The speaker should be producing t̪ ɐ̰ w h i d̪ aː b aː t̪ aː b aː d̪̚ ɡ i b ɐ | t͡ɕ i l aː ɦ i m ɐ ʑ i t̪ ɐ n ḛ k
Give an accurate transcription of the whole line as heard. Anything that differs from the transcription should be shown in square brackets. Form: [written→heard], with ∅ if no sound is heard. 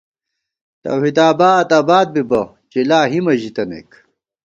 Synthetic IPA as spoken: t̪ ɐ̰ w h i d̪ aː b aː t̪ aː b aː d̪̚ [ɡ→b] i b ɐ | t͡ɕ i l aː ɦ i m ɐ ʑ i t̪ ɐ n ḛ k